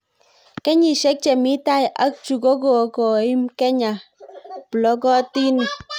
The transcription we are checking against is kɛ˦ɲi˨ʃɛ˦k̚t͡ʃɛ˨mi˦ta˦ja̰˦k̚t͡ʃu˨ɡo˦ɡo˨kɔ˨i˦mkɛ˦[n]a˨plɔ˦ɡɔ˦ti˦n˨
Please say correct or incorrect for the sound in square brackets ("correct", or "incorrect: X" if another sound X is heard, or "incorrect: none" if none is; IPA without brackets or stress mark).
incorrect: ɲ